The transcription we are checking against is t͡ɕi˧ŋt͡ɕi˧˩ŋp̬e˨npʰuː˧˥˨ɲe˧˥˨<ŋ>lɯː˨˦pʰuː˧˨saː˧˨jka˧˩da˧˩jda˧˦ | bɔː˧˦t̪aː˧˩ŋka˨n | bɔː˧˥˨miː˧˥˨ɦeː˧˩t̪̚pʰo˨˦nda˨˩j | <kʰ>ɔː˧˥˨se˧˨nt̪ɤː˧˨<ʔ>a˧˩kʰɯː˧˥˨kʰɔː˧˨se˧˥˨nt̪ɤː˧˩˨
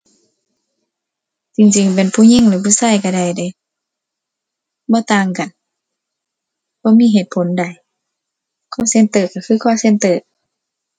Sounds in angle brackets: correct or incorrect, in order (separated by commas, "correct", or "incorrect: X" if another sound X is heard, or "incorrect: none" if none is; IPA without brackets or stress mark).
correct, correct, incorrect: k